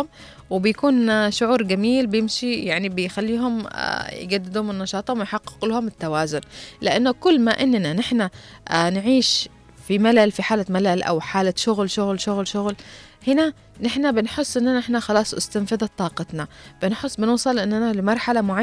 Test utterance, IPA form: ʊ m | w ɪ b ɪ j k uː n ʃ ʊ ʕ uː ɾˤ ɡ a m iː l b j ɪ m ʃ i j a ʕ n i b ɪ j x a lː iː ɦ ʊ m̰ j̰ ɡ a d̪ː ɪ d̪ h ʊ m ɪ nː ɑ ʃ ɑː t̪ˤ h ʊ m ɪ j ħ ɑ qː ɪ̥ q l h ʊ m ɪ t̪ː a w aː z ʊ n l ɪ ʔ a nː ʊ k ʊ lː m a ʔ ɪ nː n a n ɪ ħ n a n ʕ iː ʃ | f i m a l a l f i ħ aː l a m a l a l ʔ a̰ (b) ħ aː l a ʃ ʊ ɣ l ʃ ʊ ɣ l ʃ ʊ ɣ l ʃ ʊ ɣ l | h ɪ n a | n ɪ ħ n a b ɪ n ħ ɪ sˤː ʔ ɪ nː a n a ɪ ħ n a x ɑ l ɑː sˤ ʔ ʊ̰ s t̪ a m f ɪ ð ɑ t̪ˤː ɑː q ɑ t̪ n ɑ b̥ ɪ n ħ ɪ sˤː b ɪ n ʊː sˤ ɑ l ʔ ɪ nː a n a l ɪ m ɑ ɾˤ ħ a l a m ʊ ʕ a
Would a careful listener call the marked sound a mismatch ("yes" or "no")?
yes